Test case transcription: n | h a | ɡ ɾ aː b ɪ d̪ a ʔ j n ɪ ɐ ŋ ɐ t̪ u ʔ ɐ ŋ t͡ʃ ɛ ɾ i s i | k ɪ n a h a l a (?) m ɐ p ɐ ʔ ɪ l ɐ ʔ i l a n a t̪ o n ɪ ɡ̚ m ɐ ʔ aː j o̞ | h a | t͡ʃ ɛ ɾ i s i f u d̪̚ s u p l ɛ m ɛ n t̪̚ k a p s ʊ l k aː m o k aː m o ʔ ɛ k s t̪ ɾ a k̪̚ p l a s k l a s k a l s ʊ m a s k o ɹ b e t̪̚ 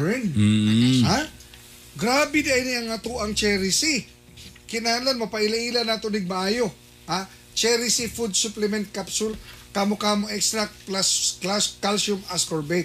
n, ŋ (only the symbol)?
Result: n